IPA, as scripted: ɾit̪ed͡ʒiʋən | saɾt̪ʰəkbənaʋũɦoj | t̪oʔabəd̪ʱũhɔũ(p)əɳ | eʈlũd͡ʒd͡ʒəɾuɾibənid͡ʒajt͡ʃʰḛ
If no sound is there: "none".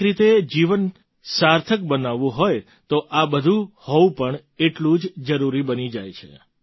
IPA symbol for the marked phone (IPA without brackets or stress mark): p